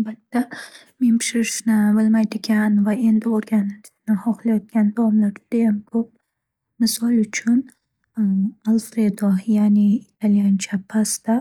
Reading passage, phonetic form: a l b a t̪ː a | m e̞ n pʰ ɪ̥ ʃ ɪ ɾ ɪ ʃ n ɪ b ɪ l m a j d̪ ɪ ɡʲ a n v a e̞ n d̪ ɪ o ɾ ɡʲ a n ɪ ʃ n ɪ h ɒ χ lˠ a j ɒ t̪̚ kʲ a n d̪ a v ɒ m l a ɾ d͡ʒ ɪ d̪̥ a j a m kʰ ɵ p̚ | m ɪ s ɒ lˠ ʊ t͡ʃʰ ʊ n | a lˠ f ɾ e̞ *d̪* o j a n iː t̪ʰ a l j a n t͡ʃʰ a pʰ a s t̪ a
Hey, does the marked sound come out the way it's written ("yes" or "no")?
yes